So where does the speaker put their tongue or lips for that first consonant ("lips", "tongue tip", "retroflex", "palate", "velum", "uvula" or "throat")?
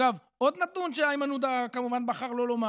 lips